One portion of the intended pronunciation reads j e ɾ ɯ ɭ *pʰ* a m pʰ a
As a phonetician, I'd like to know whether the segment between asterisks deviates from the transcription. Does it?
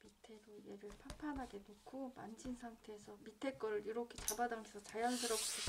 no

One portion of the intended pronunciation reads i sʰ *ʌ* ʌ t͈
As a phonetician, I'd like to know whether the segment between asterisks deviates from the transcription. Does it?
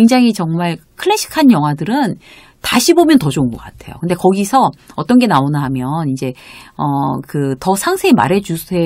no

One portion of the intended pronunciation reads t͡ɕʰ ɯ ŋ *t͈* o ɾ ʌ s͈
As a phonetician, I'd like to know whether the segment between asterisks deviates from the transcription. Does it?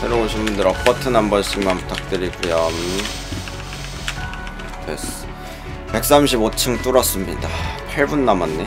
no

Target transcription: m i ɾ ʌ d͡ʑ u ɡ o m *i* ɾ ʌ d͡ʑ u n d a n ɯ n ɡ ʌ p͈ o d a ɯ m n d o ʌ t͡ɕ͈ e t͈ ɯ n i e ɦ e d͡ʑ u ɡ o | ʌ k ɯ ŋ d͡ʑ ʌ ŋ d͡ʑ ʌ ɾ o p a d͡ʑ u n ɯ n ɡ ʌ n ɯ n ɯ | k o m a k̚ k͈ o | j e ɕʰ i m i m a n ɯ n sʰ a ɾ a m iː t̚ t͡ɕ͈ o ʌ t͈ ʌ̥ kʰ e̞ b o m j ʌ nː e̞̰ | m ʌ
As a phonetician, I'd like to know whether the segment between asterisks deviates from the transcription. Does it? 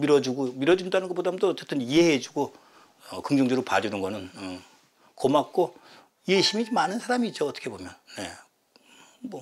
no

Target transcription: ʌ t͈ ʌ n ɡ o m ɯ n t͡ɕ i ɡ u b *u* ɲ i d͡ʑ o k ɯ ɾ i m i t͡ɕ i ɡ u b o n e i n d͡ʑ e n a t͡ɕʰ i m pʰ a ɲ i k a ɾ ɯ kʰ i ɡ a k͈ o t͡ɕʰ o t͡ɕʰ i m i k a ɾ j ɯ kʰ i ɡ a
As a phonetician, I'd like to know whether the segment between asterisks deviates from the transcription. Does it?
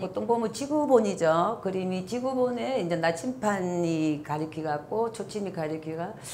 yes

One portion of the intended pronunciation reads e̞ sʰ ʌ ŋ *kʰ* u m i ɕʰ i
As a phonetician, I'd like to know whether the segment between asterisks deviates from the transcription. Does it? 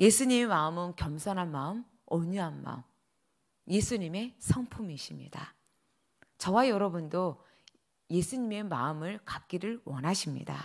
yes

